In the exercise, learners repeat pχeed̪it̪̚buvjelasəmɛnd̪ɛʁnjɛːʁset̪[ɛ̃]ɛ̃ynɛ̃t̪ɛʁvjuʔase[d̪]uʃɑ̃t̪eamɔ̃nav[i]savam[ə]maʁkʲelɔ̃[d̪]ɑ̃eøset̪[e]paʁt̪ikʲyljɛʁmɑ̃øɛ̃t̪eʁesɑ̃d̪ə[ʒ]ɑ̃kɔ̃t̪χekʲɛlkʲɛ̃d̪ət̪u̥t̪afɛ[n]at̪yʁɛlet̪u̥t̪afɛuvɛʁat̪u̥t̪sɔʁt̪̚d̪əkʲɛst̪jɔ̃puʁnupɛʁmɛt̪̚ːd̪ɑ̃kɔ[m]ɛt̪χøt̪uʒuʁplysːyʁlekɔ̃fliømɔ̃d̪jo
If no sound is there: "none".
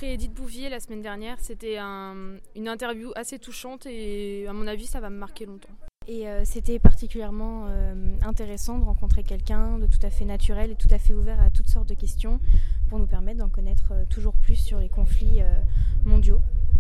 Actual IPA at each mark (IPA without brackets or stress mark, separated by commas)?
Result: ɛ, t̪, i, ə, t̪, ɛ, ʁ, n, n